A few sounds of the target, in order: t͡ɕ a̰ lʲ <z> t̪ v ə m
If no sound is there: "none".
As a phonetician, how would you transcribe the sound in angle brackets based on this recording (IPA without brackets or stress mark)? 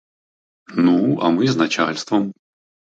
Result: s